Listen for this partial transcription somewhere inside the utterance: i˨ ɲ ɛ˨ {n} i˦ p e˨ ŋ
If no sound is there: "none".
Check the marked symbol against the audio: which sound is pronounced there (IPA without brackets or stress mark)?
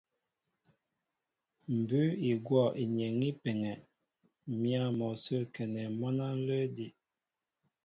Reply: ŋ